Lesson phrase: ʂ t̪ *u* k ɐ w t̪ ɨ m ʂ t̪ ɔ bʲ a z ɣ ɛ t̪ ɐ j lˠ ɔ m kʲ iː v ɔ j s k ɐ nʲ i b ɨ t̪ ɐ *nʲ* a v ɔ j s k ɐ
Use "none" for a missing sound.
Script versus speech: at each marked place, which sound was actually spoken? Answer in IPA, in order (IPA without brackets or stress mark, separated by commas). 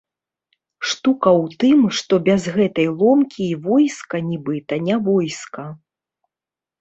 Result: u, nʲ